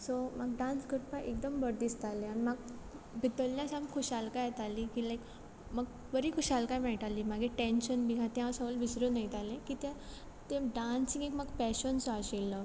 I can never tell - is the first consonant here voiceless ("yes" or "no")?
yes